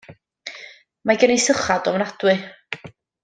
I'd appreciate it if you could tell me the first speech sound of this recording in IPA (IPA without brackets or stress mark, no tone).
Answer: m